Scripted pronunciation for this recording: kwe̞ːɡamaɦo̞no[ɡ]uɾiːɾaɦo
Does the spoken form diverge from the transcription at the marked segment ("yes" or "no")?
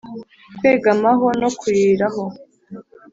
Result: yes